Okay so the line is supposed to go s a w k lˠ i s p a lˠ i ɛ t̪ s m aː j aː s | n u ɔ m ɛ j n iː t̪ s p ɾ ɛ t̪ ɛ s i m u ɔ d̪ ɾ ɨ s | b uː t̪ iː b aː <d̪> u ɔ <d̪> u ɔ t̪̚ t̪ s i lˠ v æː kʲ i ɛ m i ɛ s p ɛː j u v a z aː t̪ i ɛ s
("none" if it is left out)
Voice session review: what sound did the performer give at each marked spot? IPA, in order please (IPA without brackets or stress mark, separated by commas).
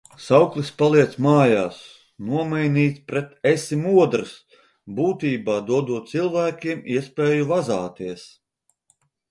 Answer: d̪, d̪